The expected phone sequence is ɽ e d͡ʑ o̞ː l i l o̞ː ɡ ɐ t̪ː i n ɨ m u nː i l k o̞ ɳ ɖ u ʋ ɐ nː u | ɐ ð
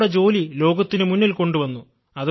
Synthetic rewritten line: ɽ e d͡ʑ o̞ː l i l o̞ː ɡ ɐ t̪ː i n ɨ m u nː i l k o̞ ɳ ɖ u ʋ ɐ nː u | ɐ ð